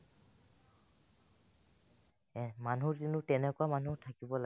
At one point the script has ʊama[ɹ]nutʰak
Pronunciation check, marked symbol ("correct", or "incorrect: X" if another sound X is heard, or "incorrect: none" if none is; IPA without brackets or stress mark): incorrect: none